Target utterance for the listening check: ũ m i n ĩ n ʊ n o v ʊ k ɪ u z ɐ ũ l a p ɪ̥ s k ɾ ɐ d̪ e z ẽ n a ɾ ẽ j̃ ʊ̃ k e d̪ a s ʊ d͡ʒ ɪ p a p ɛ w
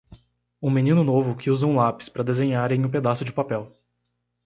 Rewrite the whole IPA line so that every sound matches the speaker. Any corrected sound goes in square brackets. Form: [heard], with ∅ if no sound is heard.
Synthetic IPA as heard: ũ m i n ĩ n ʊ n o v ʊ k ɪ u z ɐ ũ l a p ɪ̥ s [p] ɾ ɐ d̪ e z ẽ [ɲ] a ɾ ẽ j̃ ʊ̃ [p] e d̪ a s ʊ d͡ʒ ɪ p a p ɛ w